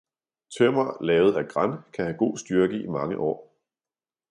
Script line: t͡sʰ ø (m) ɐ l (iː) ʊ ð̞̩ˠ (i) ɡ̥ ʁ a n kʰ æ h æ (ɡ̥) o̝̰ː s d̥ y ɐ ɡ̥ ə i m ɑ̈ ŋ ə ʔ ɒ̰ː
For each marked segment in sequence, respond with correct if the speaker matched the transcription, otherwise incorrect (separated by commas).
correct, incorrect, incorrect, correct